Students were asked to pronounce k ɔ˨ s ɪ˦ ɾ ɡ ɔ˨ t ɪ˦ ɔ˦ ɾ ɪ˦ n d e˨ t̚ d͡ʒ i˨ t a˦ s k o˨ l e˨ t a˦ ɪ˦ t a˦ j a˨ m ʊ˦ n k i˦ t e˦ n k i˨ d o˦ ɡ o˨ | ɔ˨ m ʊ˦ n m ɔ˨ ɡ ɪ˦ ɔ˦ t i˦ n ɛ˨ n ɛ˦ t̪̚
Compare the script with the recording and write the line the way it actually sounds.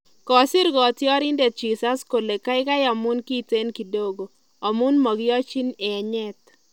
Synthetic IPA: k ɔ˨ s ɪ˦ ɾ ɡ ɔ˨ t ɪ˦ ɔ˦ ɾ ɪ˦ n d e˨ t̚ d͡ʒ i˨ s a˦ s k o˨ l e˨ k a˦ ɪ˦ k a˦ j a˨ m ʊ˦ n k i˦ t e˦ n k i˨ d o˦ ɡ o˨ | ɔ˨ m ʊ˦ n m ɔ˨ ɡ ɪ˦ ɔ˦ t͡ʃ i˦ n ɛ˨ ɲ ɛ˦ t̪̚

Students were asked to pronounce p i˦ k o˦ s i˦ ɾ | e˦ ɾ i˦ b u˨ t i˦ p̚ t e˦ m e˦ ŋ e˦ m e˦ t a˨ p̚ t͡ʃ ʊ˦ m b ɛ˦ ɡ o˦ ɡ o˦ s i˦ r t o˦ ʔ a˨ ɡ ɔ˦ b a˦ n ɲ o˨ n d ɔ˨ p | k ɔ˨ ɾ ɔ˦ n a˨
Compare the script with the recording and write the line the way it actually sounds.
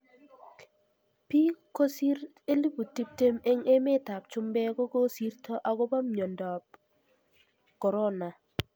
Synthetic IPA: p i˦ k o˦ s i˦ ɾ | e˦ l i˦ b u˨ t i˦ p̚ t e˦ m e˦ ŋ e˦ m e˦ t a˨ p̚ t͡ʃ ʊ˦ m b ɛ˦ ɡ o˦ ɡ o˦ s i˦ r t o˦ ʔ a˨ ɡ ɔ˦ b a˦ m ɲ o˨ n d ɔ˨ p | k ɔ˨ ɾ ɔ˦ n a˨

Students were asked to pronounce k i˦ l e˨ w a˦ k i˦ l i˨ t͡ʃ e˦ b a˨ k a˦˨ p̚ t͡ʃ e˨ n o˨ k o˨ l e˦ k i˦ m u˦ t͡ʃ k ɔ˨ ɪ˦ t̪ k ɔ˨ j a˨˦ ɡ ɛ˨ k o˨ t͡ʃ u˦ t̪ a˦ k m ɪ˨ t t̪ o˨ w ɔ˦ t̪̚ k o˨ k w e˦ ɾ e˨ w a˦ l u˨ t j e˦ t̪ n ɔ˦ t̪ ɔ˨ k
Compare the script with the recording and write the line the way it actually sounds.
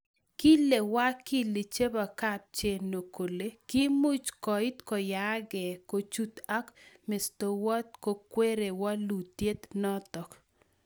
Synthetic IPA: k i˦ l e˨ w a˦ k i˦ l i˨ t͡ʃ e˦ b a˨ k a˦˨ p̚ t͡ʃ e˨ n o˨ k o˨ l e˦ k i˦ m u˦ t͡ʃ k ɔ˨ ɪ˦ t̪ k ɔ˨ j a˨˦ ɡ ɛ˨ k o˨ t͡ʃ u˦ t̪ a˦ k m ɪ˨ s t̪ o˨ w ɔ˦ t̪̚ k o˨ k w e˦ ɾ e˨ w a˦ l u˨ t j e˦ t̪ n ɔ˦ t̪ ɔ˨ k

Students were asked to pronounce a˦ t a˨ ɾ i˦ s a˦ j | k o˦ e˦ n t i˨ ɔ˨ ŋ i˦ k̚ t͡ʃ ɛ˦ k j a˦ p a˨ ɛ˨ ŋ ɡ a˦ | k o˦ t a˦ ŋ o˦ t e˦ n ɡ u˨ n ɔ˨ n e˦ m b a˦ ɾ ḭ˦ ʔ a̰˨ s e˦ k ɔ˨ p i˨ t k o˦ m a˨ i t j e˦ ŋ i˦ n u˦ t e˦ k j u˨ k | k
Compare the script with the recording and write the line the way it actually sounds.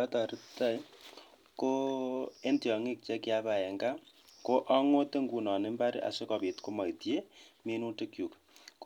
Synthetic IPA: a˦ t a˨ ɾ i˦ t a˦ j | k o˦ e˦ n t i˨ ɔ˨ ŋ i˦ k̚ t͡ʃ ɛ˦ k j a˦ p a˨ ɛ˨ ŋ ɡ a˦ | k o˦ ʔ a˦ ŋ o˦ t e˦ ŋ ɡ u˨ n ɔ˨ n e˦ m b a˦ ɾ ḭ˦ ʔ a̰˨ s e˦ k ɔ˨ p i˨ t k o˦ m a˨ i t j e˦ m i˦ n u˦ t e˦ k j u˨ k | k

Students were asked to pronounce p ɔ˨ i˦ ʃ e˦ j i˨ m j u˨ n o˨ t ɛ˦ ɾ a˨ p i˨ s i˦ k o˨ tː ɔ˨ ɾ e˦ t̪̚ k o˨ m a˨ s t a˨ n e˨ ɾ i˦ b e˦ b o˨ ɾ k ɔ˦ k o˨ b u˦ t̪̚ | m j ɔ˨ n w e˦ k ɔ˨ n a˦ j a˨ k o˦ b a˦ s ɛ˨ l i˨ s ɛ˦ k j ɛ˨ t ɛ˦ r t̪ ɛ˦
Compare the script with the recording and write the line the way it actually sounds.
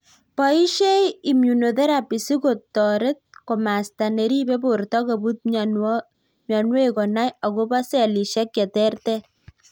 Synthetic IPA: p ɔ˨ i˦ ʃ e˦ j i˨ m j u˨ n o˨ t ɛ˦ ɾ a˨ p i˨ s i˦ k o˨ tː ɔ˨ ɾ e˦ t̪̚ k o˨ m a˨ s t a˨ n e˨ ɾ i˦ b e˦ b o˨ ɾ t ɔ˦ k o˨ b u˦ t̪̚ | m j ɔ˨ n w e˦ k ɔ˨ n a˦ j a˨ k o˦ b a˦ s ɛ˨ l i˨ ʃ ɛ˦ k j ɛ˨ t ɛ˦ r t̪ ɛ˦

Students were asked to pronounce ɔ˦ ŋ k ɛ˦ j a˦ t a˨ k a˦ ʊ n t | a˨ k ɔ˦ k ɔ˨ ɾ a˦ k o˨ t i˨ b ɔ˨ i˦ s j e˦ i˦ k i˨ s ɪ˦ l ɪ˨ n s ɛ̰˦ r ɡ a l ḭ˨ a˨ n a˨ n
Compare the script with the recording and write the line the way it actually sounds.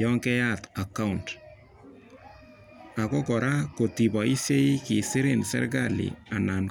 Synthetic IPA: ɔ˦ ŋ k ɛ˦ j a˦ t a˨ k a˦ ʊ n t | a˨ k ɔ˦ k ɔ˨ ɾ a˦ k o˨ t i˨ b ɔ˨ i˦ s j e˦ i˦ k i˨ s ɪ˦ ɾ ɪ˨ n s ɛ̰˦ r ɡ a l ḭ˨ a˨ n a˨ n

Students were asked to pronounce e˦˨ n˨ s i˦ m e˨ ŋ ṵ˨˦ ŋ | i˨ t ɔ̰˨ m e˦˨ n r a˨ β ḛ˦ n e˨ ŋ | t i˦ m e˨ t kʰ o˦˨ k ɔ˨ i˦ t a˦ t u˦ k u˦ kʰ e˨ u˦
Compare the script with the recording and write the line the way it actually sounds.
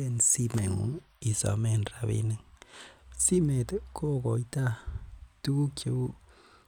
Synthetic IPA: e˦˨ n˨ s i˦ m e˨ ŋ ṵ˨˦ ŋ | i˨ s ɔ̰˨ m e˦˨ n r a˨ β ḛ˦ n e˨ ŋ | s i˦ m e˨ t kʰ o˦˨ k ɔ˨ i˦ t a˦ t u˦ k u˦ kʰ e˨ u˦

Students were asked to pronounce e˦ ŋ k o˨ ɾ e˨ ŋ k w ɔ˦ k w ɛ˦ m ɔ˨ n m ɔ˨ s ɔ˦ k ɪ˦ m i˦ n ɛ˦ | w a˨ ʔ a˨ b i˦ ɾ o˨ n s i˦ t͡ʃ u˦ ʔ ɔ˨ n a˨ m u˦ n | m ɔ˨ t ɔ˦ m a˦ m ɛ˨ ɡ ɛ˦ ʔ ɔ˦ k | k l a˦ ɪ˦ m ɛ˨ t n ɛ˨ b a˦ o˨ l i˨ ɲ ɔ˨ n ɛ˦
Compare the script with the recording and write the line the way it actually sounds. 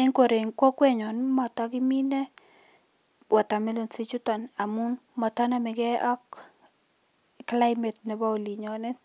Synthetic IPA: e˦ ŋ k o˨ ɾ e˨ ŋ k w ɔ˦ k w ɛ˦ ɲ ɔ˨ n m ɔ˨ t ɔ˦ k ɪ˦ m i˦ n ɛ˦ | w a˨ t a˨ m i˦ l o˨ n s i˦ t͡ʃ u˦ t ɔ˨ n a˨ m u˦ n | m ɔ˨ t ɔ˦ n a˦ m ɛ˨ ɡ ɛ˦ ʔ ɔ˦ k | k l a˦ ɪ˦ m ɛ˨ t n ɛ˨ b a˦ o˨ l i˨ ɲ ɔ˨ n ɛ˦

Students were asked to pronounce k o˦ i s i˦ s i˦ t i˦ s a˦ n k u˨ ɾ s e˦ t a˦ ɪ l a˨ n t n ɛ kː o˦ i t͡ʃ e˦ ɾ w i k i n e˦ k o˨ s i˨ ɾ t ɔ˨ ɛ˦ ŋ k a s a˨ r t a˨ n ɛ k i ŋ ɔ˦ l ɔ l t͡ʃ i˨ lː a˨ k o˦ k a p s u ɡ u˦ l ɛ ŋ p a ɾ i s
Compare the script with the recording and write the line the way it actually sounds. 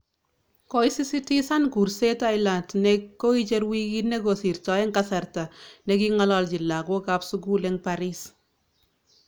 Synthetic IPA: k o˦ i s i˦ s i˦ t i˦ s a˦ n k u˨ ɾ s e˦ t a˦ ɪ l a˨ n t n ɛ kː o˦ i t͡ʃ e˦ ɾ w i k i n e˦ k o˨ s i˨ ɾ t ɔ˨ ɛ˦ ŋ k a s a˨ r t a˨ n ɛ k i ŋ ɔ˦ l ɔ l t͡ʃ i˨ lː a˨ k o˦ k a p s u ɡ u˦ l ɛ ŋ p a ɾ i s

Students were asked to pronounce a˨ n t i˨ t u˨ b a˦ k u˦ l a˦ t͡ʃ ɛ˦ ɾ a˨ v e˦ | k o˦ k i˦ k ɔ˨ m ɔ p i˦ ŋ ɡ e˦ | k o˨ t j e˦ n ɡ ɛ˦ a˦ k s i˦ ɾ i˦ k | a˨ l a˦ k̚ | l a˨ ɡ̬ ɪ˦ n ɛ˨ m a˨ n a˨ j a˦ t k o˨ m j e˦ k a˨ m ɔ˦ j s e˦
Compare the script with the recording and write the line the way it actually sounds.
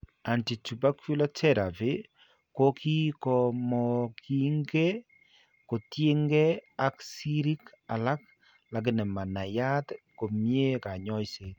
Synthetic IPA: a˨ n t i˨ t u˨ b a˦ k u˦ l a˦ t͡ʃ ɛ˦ ɾ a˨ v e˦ | k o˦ k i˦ k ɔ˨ m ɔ k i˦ ŋ ɡ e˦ | k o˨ t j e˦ ŋ ɡ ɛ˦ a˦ k s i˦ ɾ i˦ k | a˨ l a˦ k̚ | l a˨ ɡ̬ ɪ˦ n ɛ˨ m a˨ n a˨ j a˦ t k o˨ m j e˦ k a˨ ɲ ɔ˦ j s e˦

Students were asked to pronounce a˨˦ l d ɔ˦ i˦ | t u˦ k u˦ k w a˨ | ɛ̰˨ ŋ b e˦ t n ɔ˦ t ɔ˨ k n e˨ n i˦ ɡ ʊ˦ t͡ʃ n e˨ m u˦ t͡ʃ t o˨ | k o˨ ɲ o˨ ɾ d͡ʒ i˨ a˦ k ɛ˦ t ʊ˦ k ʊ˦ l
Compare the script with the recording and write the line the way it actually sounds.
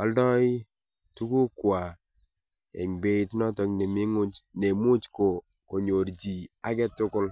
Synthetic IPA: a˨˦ l d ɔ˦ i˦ | t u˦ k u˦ k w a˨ | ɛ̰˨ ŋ b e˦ t n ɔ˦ t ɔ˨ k n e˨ m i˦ ŋ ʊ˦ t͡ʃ n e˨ m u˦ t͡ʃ k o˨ | k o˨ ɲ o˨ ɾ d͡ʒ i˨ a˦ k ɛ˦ t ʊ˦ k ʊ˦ l

